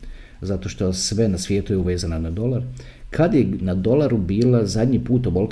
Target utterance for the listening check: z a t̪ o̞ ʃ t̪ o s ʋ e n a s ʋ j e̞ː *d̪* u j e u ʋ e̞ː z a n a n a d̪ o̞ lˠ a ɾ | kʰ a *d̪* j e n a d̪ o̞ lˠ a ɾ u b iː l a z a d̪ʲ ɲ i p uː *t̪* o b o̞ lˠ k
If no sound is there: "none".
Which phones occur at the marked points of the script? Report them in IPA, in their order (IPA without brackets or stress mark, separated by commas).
t̪, d̪, t̪